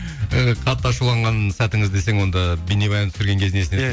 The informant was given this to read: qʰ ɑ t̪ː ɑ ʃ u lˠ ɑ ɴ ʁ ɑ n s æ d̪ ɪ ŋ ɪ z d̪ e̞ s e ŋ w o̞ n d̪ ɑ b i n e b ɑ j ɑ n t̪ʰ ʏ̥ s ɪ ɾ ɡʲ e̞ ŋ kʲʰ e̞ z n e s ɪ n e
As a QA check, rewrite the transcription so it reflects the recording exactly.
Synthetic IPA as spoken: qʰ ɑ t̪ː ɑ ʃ u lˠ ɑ ɴ ʁ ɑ n s æ t̪ ɪ ŋ ɪ z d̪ e̞ s e ŋ w o̞ n d̪ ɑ b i n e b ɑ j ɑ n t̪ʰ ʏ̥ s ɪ ɾ ɡʲ e̞ ŋ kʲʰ e̞ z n e s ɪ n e